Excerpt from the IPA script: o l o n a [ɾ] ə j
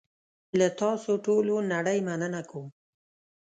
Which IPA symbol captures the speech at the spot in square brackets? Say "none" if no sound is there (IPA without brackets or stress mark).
ɽ